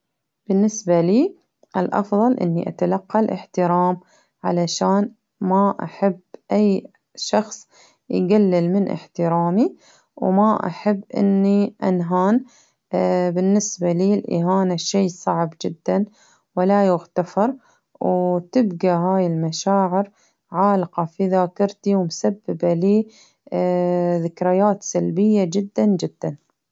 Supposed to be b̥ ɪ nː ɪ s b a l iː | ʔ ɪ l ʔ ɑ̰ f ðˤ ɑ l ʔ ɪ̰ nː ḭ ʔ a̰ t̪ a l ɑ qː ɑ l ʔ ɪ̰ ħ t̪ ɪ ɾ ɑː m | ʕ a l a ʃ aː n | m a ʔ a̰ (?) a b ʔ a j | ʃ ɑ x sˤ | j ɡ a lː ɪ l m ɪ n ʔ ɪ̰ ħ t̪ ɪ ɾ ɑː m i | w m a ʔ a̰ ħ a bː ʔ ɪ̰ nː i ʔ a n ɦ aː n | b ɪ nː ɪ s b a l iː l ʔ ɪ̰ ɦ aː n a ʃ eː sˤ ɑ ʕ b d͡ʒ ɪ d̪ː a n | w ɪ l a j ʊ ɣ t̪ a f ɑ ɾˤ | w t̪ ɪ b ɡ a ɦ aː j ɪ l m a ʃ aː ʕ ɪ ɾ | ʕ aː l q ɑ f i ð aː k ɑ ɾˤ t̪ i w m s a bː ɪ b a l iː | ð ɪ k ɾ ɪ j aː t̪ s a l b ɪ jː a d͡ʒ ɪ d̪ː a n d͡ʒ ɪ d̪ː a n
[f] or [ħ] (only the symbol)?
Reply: ħ